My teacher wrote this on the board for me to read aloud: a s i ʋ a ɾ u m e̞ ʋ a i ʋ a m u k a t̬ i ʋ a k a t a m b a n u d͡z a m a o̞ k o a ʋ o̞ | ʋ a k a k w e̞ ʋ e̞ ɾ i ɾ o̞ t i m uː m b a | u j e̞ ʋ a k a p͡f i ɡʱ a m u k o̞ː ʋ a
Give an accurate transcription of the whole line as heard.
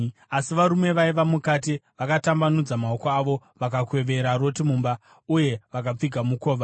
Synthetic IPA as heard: a s i ʋ a ɾ u m e̞ ʋ a i ʋ a m u k a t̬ i ʋ a k a t a m b a n u d͡z a m a o̞ k o a ʋ o̞ | ʋ a k a k w e̞ ʋ e̞ ɾ a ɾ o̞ t i m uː m b a | u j e̞ ʋ a k a p͡f i ɡʱ a m u k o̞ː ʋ a